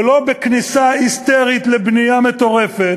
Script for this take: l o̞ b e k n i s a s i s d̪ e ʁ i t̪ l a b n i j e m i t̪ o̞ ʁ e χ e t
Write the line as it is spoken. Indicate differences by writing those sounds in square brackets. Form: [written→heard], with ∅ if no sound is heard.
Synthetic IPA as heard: l o̞ b e k n i s a [s→∅] i s [d̪→t̪] e ʁ i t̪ l [a→e] b n i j [e→a] m [i→e] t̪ o̞ ʁ e [χ→f] e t